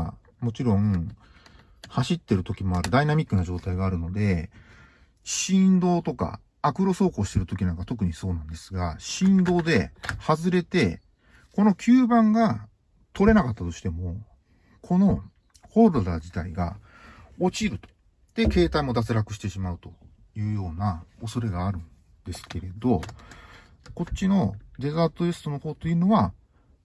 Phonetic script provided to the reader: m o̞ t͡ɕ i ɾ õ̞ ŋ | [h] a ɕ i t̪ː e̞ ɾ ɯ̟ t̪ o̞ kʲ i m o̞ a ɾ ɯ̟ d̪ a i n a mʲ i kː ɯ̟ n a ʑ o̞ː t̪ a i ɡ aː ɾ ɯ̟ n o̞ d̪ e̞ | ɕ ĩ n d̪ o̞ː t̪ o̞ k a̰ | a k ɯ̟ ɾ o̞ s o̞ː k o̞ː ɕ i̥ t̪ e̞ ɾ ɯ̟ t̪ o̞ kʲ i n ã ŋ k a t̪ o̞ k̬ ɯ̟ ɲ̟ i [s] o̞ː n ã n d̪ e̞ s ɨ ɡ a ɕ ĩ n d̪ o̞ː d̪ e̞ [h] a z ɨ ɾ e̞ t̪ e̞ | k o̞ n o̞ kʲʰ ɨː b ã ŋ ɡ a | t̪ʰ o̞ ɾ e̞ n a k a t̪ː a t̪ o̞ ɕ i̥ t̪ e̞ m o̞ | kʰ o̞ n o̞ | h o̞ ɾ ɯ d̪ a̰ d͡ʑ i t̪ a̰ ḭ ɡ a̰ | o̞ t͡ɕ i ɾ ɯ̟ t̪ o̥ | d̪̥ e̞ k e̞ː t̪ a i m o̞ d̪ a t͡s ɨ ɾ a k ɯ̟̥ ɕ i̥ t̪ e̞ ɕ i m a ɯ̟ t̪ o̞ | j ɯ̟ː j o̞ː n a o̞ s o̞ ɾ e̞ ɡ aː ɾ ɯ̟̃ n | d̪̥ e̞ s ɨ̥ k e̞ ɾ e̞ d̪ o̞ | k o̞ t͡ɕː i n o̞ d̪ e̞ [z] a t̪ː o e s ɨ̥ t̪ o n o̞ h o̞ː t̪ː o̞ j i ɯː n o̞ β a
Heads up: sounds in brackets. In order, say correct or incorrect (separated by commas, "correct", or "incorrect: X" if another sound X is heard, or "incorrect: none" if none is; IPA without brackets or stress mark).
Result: correct, correct, correct, correct